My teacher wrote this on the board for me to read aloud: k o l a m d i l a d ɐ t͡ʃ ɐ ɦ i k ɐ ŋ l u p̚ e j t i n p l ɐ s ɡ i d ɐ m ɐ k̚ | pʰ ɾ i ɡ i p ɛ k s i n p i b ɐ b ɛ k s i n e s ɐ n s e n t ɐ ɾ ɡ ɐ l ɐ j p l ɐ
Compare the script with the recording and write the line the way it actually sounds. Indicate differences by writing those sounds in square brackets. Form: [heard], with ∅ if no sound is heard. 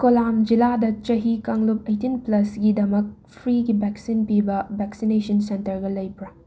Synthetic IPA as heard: k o l a m [d͡ʒ] i l a d ɐ t͡ʃ ɐ ɦ i k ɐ ŋ l u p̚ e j t i n p l ɐ s ɡ i d ɐ m ɐ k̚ | pʰ ɾ i ɡ i [b] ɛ k s i n p i b ɐ b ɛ k s i n e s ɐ n s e n t ɐ ɾ ɡ ɐ l ɐ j p [ɾ] ɐ